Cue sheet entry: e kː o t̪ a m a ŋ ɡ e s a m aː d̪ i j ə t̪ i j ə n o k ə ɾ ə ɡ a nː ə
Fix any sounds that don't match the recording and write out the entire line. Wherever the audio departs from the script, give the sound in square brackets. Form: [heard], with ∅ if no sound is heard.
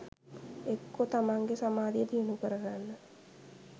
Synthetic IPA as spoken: e kː o t̪ a m a ŋ ɡ e s a m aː d̪ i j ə t̪ i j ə n [u] k ə ɾ ə ɡ a nː ə